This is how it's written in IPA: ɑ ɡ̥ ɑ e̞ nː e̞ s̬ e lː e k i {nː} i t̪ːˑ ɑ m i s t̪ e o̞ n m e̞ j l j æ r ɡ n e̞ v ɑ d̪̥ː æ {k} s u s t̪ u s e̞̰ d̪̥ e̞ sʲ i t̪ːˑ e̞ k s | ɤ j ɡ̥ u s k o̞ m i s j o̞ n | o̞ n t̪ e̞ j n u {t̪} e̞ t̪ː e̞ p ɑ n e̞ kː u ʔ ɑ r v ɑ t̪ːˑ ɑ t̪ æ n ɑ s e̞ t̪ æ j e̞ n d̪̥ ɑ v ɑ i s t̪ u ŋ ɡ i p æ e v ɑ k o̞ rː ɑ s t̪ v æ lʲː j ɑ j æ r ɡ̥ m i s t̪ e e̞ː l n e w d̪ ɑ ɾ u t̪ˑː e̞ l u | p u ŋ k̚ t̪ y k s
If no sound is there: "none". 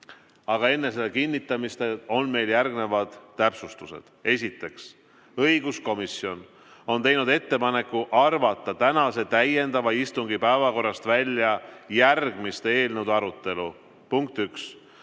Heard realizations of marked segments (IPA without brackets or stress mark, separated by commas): nː, p, d̪